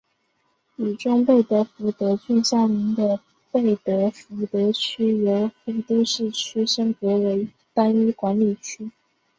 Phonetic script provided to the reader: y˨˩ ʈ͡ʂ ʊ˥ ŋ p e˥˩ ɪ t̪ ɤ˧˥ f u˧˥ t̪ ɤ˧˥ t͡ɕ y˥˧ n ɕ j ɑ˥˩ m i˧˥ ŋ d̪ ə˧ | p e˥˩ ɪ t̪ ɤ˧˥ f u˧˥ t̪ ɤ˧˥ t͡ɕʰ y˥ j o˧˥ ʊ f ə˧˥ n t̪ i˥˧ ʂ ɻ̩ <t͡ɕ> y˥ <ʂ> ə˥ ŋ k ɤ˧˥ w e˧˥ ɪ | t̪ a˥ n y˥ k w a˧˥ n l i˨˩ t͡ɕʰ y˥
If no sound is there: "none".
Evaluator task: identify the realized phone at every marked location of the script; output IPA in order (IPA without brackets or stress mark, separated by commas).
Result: t͡ɕʰ, ʂ